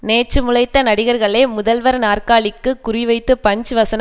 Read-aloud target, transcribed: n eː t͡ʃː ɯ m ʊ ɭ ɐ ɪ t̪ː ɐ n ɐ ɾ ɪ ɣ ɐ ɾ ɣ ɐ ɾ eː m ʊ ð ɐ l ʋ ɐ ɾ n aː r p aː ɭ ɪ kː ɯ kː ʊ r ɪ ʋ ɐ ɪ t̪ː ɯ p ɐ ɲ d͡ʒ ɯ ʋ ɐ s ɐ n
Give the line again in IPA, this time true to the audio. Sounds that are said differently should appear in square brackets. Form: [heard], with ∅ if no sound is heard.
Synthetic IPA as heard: n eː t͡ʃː ɯ m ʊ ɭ ɐ ɪ t̪ː ɐ n ɐ [ɽ] ɪ ɣ ɐ ɾ ɣ ɐ [ɭ] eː m ʊ ð ɐ l ʋ ɐ ɾ n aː r [k] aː ɭ ɪ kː ɯ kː ʊ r ɪ ʋ ɐ ɪ t̪ː ɯ p ɐ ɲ d͡ʒ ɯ ʋ ɐ s ɐ n

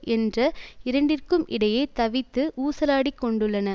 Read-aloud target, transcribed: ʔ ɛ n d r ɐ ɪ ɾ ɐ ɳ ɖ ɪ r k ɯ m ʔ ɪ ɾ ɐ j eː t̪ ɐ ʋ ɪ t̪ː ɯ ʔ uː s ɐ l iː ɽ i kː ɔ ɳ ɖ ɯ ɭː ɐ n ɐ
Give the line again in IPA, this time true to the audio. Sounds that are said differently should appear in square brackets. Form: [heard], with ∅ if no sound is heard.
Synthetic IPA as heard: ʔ ɛ n d r ɐ ɪ ɾ ɐ ɳ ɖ ɪ r k ɯ m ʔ ɪ [ɽ] ɐ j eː t̪ ɐ ʋ ɪ t̪ː ɯ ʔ uː s ɐ l [aː] ɽ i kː ɔ ɳ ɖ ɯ ɭː ɐ n ɐ

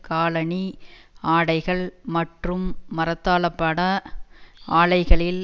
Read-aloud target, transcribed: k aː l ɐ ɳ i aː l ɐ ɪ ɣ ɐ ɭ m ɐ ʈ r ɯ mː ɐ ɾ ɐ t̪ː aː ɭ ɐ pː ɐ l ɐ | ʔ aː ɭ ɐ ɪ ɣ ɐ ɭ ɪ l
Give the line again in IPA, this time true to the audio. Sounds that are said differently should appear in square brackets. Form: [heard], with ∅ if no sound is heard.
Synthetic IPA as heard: k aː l ɐ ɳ i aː [ɽ] ɐ ɪ ɣ ɐ ɭ m ɐ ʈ r ɯ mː ɐ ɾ ɐ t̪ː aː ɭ ɐ pː ɐ [ɽ] ɐ | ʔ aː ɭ ɐ ɪ ɣ ɐ ɭ ɪ l

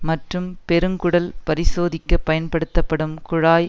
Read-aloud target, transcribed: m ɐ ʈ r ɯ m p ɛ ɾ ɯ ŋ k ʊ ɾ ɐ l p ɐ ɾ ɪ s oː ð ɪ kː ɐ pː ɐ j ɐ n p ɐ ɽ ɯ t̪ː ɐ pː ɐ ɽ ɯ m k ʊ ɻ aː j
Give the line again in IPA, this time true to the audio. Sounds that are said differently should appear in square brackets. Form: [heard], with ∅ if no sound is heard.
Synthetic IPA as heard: m ɐ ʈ r ɯ m p ɛ ɾ ɯ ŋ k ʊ [ɽ] ɐ l p ɐ ɾ ɪ s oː ð ɪ kː ɐ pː ɐ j ɐ n p ɐ ɽ ɯ t̪ː ɐ pː ɐ ɽ ɯ m k ʊ ɻ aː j

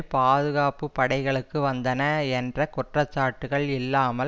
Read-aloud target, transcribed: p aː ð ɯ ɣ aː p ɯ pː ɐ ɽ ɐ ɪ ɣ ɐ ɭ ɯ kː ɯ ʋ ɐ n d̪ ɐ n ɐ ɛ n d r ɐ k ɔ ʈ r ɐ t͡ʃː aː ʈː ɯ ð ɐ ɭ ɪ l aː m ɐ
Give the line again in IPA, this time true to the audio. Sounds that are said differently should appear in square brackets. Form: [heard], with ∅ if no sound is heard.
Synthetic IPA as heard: p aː ð ɯ ɣ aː p ɯ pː ɐ ɽ ɐ ɪ ɣ ɐ ɭ ɯ kː ɯ ʋ ɐ n d̪ ɐ n ɐ ɛ n d r ɐ k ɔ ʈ r ɐ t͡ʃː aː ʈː ɯ [ɣ] ɐ ɭ ɪ [lː] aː m ɐ

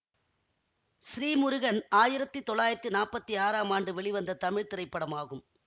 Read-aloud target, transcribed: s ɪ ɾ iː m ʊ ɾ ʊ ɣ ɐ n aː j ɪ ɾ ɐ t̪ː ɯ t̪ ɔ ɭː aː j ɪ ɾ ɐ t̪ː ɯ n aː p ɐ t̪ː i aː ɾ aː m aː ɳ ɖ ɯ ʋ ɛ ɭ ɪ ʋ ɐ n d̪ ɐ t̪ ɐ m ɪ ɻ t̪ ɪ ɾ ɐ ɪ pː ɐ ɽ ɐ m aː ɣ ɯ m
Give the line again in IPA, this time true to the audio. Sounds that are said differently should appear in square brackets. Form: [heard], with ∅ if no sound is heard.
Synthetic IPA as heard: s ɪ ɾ iː m ʊ ɾ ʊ ɣ ɐ n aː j ɪ ɾ ɐ t̪ː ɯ t̪ ɔ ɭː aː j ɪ ɾ ɐ t̪ː ɯ n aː p ɐ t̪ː i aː ɾ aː m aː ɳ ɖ ɯ ʋ ɛ ɭ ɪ ʋ ɐ n d̪ ɐ t̪ ɐ m ɪ ɻ t̪ ɪ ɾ ɐ ɪ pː ɐ ɽ ɐ m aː ɣ ɯ m

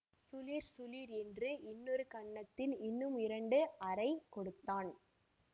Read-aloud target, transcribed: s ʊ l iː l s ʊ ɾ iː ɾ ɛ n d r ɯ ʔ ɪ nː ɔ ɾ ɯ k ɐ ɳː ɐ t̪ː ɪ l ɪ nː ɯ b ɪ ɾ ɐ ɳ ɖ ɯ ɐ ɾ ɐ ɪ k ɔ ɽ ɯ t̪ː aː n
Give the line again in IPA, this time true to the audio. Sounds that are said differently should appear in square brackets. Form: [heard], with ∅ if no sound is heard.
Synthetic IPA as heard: s ʊ l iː [ɾ] s ʊ [l] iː ɾ ɛ n d r ɯ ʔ ɪ nː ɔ ɾ ɯ k ɐ ɳː ɐ t̪ː ɪ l ɪ nː ɯ [m] ɪ ɾ ɐ ɳ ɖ ɯ ɐ ɾ ɐ ɪ k ɔ ɽ ɯ t̪ː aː n

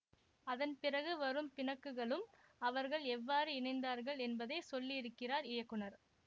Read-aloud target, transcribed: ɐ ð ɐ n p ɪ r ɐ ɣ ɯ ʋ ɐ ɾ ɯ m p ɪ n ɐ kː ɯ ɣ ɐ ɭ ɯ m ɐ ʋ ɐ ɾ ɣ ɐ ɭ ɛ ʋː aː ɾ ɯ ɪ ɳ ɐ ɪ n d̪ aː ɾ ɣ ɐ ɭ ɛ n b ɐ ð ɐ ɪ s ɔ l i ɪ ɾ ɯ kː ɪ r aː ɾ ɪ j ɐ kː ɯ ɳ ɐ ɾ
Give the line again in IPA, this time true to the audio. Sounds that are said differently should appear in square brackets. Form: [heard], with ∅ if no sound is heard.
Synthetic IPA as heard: ɐ ð ɐ n p ɪ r ɐ ɣ ɯ ʋ ɐ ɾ ɯ m p ɪ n ɐ kː ɯ ɣ ɐ ɭ ɯ m ɐ ʋ ɐ ɾ ɣ ɐ ɭ ɛ ʋː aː ɾ ɯ ɪ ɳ ɐ ɪ n d̪ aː ɾ ɣ ɐ ɭ ɛ n b ɐ ð ɐ ɪ s ɔ [lː] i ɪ ɾ ɯ kː ɪ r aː ɾ ɪ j ɐ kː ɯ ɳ ɐ ɾ

